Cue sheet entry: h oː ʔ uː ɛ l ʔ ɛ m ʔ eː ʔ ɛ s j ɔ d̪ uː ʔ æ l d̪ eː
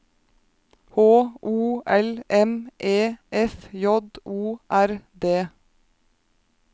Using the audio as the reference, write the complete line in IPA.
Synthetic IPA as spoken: h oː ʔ uː ɛ l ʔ ɛ m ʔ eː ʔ ɛ f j ɔ d̪ uː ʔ æ ɾ d̪ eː

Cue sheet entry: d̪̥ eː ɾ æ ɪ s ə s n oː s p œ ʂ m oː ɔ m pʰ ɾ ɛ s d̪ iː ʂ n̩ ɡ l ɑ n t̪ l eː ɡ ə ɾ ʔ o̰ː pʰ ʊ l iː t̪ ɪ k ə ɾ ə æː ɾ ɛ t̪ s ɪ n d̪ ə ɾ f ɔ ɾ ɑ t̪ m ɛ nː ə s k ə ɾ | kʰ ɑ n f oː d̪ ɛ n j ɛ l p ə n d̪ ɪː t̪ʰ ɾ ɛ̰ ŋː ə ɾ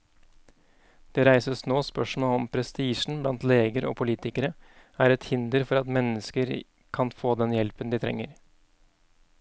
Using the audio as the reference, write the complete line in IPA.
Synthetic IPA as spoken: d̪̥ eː ɾ æ ɪ s ə s n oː s p œ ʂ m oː ɔ m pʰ ɾ ɛ s t̪ iː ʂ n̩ b l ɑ n t̪ l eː ɡ ə ɾ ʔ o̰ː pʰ ʊ l iː t̪ ɪ k ə ɾ ə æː ɾ ɛ t̪ h ɪ n d̪ ə ɾ f ɔ ɾ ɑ t̪ m ɛ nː ə s k ə ɾ | kʰ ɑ n f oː d̪ ɛ n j ɛ l p ə n d̪ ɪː t̪ʰ ɾ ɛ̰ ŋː ə ɾ

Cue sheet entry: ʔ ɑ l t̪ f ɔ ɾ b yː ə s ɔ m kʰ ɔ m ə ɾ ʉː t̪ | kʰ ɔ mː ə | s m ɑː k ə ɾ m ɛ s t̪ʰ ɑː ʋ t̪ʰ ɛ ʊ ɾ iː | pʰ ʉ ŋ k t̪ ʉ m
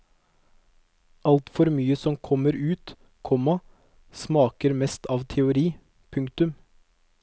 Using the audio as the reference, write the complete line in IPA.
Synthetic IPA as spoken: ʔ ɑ l t̪ f ɔ ɾ m yː ə s ɔ m kʰ ɔ m ə ɾ ʉː t̪ | kʰ ɔ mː ɑ | s m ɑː k ə ɾ m ɛ s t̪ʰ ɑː ʋ t̪ʰ ɛ ʊ ɾ iː | pʰ ʉ ŋ k t̪ ʉ m

